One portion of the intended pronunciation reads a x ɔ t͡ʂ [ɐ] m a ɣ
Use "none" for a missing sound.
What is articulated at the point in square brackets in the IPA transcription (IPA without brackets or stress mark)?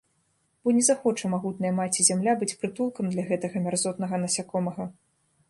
ɐ